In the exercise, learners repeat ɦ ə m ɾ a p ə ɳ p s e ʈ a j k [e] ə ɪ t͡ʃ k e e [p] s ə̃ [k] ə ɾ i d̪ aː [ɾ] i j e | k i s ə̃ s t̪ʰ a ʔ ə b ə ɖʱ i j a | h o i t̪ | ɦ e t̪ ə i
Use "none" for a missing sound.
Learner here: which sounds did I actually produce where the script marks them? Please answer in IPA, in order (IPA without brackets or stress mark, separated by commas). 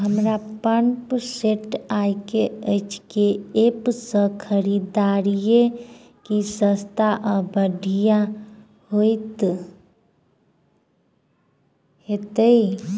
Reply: e, p, kʰ, ɾ